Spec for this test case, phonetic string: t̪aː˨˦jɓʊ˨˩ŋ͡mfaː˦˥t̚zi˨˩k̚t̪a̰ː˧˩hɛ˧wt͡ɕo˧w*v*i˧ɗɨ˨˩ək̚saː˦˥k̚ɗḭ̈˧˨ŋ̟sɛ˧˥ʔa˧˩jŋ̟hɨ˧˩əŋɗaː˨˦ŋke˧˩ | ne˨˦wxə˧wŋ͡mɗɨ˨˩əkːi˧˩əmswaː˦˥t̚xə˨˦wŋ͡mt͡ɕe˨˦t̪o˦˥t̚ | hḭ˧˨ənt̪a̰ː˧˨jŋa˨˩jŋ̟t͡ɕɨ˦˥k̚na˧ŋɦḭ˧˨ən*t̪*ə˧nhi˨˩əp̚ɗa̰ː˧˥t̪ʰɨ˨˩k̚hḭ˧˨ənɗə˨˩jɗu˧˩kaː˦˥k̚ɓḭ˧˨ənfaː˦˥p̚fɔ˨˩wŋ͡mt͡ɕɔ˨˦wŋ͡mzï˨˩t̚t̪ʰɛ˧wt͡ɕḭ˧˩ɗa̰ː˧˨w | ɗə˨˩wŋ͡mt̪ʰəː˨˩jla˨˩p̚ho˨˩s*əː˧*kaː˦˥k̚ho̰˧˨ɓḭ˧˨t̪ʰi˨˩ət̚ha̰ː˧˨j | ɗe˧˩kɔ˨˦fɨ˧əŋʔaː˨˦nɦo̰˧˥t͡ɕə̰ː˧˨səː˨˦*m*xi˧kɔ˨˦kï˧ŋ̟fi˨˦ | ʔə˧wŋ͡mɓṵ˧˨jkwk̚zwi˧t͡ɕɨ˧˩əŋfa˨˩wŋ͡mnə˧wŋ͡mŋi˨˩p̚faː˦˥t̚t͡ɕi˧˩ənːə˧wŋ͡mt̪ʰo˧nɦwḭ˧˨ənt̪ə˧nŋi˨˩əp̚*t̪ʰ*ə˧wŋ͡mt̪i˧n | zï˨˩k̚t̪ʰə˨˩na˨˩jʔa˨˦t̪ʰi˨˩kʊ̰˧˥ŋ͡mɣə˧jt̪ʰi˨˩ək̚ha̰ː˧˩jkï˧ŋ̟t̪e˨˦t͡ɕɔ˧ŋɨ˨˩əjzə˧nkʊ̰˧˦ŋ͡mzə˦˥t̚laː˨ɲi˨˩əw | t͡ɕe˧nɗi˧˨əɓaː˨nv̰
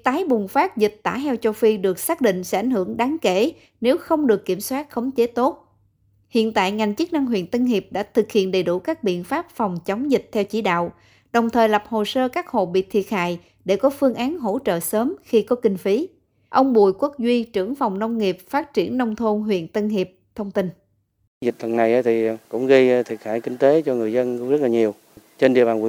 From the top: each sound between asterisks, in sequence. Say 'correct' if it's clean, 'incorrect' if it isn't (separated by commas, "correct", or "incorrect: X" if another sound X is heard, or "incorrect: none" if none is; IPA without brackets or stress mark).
incorrect: f, correct, correct, correct, correct